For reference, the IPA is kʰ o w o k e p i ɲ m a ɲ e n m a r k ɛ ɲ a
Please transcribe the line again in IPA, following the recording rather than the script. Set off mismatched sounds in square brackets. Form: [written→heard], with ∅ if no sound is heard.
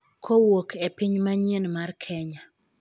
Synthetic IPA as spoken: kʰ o w o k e p i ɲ m a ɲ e n m a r [k→kʰ] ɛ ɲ a